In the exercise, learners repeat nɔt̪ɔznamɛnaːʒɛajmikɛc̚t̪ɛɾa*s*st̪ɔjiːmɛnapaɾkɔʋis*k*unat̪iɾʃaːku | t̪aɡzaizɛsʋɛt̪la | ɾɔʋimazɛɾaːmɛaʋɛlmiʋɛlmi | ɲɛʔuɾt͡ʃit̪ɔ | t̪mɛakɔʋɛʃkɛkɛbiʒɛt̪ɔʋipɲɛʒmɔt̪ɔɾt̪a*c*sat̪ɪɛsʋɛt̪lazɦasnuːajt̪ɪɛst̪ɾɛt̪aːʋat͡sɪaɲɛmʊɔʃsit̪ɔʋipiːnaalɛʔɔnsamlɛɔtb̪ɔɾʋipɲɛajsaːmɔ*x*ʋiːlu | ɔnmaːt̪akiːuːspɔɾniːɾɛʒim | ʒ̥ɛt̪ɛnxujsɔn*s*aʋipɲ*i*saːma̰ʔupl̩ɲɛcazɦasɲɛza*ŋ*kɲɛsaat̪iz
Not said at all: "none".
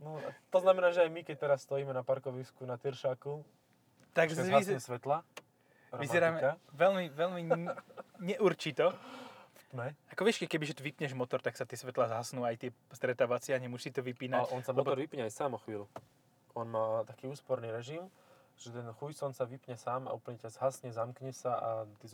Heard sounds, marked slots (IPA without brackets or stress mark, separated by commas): s, k, k, x, s, ɛ, m